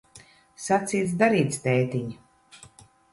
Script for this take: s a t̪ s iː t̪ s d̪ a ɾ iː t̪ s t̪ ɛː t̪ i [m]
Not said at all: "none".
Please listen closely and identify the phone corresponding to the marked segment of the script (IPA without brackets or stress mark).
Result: ɲ